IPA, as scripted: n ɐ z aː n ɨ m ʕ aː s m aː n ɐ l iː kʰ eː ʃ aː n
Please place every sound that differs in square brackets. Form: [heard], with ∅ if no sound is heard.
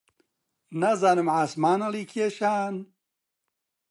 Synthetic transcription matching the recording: n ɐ z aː n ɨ m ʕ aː s m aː n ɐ l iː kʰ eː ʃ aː n

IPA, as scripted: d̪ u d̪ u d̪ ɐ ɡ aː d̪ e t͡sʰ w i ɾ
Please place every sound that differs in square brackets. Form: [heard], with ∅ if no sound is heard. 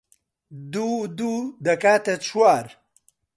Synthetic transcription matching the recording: d̪ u d̪ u d̪ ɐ [k] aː [t̪] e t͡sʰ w [a] ɾ

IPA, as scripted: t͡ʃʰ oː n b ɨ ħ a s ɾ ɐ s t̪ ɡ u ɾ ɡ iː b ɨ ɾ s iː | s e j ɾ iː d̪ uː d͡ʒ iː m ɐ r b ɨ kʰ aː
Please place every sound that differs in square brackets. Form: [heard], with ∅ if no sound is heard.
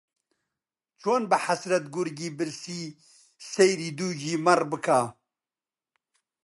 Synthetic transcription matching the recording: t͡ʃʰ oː n b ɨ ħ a s ɾ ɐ [∅] t̪ ɡ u ɾ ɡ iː b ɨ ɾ s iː | s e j ɾ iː d̪ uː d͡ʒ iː m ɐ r b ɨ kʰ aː

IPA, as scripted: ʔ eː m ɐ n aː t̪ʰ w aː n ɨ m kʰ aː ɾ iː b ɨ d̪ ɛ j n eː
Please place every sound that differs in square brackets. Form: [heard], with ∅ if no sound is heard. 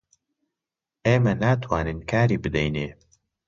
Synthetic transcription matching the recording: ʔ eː m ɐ n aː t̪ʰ w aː n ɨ [n] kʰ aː ɾ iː b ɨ d̪ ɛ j n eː

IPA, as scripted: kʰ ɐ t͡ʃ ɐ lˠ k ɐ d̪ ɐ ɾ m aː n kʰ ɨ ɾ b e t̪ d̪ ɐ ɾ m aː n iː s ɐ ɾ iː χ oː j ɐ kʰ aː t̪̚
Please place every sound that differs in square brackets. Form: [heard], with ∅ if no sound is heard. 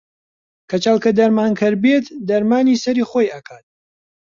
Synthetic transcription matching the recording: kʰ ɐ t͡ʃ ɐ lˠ k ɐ d̪ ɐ ɾ m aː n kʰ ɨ ɾ b e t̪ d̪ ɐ ɾ m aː n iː s ɐ ɾ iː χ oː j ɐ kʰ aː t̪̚

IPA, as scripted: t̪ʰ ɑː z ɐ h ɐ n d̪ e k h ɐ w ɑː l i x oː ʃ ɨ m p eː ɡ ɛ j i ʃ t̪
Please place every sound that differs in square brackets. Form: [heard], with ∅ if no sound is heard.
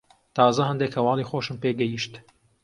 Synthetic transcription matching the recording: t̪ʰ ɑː z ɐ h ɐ n d̪ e k h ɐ w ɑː l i x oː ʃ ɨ m p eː ɡ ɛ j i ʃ t̪

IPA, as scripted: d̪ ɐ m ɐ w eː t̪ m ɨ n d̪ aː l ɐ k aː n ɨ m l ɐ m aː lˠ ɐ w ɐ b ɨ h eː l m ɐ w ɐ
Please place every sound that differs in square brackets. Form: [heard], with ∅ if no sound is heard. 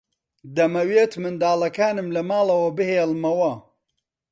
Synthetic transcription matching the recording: d̪ ɐ m ɐ w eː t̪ m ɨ n d̪ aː l ɐ k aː n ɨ m l ɐ m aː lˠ ɐ w ɐ b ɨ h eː l m ɐ w ɐ

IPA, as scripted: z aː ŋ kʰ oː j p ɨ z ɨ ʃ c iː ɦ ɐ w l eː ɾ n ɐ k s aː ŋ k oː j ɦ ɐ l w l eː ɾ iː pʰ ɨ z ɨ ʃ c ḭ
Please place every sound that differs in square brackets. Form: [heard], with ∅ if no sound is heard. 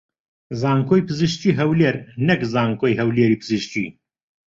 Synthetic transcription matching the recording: z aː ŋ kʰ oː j p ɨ z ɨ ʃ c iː ɦ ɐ w l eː ɾ n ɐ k [z] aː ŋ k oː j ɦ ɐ [∅] w l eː ɾ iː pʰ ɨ z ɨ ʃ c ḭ

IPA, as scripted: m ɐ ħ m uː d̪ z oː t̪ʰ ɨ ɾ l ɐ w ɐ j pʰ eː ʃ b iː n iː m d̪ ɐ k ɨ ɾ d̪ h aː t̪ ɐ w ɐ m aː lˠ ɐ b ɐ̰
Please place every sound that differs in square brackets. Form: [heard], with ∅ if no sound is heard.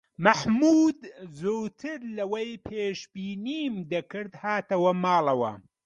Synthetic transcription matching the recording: m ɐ ħ m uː d̪ z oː t̪ʰ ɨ ɾ l ɐ w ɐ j pʰ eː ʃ b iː n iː m d̪ ɐ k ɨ ɾ d̪ h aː t̪ ɐ w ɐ m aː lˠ ɐ [w] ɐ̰

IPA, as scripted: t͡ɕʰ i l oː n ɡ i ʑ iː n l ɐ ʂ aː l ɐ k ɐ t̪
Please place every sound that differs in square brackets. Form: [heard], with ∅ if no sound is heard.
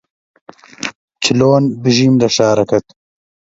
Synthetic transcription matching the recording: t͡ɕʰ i l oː n [b] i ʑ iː [m] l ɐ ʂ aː [ɾ] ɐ k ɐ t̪

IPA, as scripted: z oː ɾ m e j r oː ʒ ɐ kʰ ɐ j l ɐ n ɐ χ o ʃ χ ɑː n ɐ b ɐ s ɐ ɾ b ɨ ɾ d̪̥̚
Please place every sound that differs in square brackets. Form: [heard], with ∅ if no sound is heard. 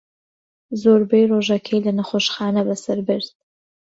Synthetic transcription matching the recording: z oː ɾ [b] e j r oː ʒ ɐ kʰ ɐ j l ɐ n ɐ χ o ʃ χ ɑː n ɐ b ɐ s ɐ ɾ b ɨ ɾ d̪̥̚

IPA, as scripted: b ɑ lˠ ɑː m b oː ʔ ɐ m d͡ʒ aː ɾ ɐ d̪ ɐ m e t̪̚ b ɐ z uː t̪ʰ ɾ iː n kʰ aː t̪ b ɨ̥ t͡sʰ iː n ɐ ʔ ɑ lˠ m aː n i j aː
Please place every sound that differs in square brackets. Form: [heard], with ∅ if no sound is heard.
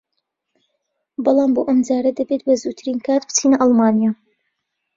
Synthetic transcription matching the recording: b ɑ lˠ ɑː m b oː ʔ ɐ m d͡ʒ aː ɾ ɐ d̪ ɐ [b] e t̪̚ b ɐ z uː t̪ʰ ɾ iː n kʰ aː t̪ b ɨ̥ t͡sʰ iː n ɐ ʔ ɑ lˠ m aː n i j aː

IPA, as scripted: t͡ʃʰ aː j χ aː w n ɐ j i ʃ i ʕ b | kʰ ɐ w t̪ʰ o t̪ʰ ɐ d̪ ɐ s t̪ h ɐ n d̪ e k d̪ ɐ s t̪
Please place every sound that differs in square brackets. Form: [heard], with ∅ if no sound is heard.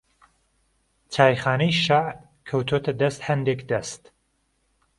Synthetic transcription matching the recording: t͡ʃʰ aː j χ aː [∅] n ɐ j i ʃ [a] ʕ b | kʰ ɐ w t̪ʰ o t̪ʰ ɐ d̪ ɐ s t̪ h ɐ n d̪ e k d̪ ɐ s t̪

